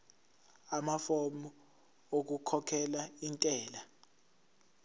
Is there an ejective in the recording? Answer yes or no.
yes